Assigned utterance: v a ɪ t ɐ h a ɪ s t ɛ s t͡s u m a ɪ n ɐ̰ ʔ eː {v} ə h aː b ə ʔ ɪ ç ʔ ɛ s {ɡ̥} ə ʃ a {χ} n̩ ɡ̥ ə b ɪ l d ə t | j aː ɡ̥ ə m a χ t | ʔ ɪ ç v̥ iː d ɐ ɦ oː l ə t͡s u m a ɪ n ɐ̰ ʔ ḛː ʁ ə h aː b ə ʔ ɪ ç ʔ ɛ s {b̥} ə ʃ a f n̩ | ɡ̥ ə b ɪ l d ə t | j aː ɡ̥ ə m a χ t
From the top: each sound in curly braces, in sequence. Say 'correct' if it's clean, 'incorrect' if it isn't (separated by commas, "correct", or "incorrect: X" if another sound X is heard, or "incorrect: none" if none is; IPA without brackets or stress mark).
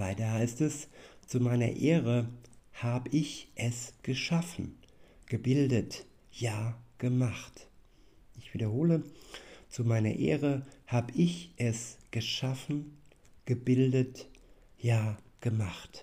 incorrect: ʁ, correct, incorrect: f, incorrect: ɡ̥